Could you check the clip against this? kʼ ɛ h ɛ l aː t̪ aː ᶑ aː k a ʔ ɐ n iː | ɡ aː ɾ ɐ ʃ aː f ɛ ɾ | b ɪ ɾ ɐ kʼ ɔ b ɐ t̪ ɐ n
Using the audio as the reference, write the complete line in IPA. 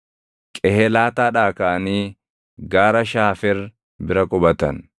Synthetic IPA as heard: kʼ ɛ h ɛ l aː t̪ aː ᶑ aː k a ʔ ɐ n iː | ɡ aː ɾ ɐ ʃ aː f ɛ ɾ | b ɪ ɾ ɐ kʼ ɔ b ɐ t̪ ɐ n